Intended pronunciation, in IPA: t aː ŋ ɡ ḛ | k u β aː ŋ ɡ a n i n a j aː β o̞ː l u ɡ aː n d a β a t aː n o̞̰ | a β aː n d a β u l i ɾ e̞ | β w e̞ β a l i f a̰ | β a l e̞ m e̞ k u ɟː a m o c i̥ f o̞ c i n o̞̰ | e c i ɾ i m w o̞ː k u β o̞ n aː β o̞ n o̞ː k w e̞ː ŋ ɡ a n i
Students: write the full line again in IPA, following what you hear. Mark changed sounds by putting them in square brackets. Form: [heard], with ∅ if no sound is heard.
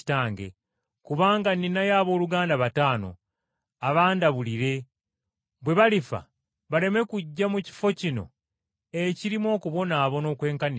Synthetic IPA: t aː ŋ ɡ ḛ | k u β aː ŋ ɡ a n i n a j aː β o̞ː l u ɡ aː n d a β a t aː n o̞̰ | a β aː n d a β u l i ɾ e̞ | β w e̞ β a l i f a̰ | β a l e̞ m e̞ k u ɟː a m [u] c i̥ f o̞ c i n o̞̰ | e c i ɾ i m w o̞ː k u β o̞ n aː β o̞ n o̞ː k w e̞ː ŋ [k] a n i